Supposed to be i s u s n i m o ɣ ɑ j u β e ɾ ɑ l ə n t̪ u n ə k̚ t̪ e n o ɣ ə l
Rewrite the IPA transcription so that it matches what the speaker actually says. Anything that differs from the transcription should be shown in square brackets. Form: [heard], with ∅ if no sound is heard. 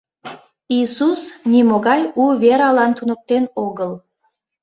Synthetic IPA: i s u s n i m o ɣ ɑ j u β e ɾ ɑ l [ɑ] n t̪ u n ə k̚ t̪ e n o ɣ ə l